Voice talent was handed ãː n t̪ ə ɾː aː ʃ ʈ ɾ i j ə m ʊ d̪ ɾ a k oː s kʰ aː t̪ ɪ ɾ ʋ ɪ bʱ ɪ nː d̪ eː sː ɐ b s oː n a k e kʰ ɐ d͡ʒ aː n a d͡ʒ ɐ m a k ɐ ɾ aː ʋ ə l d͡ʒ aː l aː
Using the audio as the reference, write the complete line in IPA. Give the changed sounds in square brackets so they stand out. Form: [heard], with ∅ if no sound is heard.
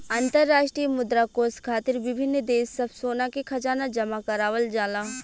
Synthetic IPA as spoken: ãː n t̪ ə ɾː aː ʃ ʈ ɾ i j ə m ʊ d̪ ɾ a k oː s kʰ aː t̪ ɪ ɾ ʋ ɪ bʱ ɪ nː d̪ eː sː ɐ b s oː n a k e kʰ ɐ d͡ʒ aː n a d͡ʒ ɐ m a k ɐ ɾ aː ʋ ə l d͡ʒ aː l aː

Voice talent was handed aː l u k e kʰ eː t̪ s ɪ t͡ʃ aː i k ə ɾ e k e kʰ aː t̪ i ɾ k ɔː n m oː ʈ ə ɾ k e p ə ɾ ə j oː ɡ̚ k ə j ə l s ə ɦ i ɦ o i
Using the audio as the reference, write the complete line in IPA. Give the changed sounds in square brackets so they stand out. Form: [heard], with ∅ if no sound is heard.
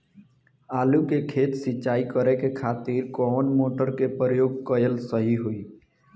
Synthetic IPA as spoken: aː l u k e kʰ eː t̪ s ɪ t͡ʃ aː i k ə ɾ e k e kʰ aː t̪ i ɾ k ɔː n m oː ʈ ə ɾ k e p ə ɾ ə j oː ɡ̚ k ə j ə l s ə ɦ i ɦ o i

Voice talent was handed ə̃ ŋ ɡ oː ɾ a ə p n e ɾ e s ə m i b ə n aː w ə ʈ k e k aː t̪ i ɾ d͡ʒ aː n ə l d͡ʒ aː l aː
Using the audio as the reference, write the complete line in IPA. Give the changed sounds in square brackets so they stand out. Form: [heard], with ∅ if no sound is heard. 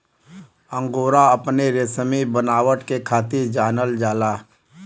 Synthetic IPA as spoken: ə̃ ŋ ɡ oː ɾ a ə p n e ɾ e s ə m i b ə n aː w ə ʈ k e [kʰ] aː t̪ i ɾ d͡ʒ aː n ə l d͡ʒ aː l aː

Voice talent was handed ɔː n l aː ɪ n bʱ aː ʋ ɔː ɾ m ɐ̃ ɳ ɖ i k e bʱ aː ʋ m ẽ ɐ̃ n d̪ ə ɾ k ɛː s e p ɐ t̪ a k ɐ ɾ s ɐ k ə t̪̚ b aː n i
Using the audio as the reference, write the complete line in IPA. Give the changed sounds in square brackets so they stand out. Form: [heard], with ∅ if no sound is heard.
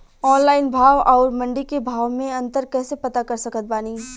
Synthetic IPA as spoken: ɔː n l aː ɪ n bʱ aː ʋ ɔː ɾ m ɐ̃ ɳ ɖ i k e bʱ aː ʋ m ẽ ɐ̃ n [t̪] ə ɾ k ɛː s e p ɐ t̪ a k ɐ ɾ s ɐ k ə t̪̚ b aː n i

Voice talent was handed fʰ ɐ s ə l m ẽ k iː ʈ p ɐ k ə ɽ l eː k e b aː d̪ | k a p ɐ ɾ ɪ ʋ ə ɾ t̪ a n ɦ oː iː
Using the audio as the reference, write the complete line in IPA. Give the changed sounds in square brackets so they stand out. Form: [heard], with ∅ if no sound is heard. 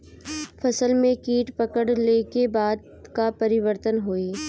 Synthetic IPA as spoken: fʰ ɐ s ə l m ẽ k iː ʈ p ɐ k ə ɽ l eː k e b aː d̪ | k a p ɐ ɾ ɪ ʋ ə ɾ t̪ [ə] n ɦ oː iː

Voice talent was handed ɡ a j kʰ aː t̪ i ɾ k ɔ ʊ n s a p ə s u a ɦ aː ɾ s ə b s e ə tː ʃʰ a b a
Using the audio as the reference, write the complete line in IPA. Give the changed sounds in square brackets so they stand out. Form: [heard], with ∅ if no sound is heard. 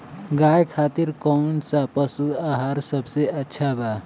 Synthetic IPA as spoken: ɡ a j kʰ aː t̪ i ɾ k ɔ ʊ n s a p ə s u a ɦ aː ɾ s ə b s e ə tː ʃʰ a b a

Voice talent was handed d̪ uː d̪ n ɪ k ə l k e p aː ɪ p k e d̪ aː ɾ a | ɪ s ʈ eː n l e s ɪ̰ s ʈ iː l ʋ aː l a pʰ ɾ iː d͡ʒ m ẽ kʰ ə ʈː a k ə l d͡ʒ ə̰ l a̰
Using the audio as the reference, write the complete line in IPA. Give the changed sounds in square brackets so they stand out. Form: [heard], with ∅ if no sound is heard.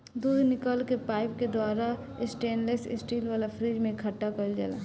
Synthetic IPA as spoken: d̪ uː d̪ n ɪ k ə l k e p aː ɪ p k e d̪ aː ɾ a | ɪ s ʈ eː n l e s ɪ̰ s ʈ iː l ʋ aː l a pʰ ɾ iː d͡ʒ m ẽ kʰ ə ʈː a k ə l d͡ʒ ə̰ l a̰

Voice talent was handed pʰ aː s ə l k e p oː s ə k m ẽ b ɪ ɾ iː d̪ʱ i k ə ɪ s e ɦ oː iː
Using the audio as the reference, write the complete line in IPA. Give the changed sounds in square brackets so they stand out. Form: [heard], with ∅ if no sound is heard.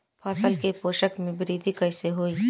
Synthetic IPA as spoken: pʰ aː s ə l k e p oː [ʃ] ə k m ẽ b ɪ ɾ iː d̪ʱ i k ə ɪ s e ɦ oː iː

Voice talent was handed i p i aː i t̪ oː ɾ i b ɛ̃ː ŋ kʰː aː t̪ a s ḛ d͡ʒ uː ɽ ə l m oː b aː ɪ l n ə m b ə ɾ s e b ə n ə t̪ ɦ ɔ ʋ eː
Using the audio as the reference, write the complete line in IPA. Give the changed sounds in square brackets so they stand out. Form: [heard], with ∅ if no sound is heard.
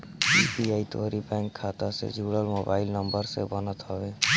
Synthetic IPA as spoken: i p i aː i t̪ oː ɾ i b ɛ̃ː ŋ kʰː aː t̪ a s ḛ d͡ʒ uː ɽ ə l m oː b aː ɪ l n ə m b ə ɾ s e b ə n ə t̪ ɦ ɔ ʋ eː

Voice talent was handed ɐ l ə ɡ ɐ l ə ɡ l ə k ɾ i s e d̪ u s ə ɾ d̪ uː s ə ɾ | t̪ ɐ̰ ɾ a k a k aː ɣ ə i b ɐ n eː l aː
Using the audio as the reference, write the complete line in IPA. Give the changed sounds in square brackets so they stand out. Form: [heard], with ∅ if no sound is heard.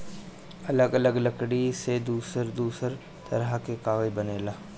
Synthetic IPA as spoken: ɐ l ə ɡ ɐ l ə ɡ l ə k [ɽ] i s e d̪ [uː] s ə ɾ d̪ uː s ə ɾ | t̪ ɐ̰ ɾ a k [e] k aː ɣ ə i b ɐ n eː l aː

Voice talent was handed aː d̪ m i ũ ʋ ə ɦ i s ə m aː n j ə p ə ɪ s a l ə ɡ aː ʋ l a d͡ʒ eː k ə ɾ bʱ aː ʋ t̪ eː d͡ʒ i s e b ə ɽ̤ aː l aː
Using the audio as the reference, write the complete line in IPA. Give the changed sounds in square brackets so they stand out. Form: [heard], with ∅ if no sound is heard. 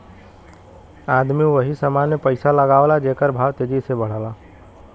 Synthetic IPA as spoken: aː d̪ m i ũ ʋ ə ɦ i s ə m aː n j ə p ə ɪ s a l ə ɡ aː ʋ l a d͡ʒ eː k ə ɾ bʱ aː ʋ t̪ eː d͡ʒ i s e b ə ɽ̤ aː l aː

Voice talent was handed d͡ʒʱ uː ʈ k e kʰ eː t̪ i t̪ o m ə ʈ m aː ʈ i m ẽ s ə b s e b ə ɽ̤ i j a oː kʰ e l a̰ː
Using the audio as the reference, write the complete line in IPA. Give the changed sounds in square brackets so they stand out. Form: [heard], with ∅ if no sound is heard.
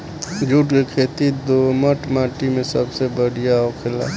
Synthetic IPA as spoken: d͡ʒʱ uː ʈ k e kʰ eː t̪ i [d̪] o m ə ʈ m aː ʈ i m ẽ s ə b s e b ə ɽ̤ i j a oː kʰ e l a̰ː

